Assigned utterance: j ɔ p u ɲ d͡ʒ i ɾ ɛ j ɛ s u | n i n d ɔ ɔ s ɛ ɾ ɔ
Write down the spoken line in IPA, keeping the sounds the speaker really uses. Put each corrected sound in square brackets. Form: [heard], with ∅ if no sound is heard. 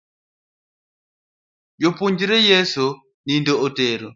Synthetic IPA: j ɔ p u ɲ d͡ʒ i ɾ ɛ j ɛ s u | n i n d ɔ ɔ [t] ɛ ɾ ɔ